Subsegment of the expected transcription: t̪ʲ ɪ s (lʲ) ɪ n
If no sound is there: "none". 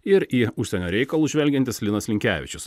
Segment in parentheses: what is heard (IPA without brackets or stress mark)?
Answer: lʲ